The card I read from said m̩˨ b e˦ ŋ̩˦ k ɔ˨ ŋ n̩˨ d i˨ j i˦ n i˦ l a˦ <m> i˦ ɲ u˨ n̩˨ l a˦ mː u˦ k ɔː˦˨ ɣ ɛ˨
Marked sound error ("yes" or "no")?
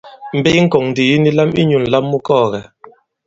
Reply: no